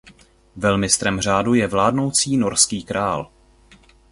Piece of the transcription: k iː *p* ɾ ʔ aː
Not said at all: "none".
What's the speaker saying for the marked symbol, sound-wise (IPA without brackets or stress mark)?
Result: k